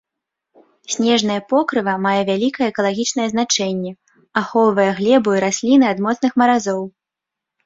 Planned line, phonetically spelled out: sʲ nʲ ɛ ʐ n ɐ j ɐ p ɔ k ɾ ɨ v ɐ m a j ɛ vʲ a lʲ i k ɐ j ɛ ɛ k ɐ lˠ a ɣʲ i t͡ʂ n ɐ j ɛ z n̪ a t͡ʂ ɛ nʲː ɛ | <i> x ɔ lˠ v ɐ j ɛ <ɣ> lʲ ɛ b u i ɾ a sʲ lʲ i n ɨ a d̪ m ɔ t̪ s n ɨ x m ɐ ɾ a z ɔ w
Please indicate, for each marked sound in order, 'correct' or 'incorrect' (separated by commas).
incorrect, correct